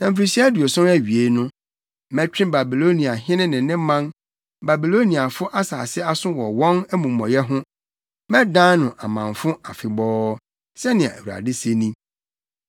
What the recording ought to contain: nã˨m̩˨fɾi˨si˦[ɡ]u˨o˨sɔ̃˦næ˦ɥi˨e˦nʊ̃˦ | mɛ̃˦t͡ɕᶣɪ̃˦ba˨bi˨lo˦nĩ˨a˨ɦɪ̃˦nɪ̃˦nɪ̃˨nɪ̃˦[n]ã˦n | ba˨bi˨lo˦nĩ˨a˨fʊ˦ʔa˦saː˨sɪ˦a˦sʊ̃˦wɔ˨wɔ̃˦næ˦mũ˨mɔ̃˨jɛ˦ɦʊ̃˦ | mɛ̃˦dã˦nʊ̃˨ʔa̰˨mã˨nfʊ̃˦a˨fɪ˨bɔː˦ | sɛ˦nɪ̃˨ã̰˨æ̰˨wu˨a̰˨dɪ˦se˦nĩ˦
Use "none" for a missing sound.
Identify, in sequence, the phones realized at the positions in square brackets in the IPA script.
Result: d, m

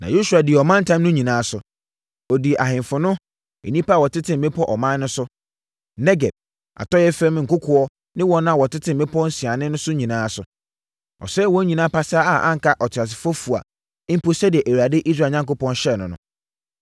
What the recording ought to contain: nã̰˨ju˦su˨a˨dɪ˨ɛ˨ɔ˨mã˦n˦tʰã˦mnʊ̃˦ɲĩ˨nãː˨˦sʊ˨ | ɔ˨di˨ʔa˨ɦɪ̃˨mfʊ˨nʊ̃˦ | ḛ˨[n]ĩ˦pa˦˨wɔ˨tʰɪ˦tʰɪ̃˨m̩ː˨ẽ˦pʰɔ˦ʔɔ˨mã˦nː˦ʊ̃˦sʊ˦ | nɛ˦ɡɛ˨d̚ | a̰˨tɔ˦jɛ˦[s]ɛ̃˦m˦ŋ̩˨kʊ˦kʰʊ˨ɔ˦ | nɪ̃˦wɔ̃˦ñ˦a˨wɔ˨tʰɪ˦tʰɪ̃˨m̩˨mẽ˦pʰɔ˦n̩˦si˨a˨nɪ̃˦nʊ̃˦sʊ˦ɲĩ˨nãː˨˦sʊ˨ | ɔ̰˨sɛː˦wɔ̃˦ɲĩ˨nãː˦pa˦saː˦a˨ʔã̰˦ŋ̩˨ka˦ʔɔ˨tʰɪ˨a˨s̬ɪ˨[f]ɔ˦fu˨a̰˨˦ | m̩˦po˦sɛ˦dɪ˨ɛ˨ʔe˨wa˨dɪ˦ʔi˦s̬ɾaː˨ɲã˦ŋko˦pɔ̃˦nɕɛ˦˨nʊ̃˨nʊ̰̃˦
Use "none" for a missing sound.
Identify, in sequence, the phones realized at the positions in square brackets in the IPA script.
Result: n, f, f

